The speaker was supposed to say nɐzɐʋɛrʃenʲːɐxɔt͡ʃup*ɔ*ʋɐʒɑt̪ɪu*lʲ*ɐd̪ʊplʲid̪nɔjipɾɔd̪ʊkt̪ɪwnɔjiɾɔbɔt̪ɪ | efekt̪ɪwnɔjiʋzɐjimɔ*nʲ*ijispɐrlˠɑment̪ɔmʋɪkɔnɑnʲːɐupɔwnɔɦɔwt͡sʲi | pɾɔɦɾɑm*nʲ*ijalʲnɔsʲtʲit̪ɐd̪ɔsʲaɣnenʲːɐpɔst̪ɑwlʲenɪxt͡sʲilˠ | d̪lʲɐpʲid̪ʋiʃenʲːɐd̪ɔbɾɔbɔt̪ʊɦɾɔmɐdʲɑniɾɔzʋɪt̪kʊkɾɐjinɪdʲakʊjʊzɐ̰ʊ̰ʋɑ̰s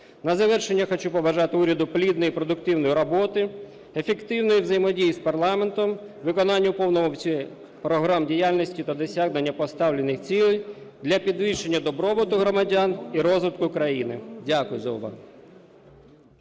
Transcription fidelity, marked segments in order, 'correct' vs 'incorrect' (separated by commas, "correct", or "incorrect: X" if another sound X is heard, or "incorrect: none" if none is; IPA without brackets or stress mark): correct, incorrect: ɾʲ, incorrect: dʲ, incorrect: dʲ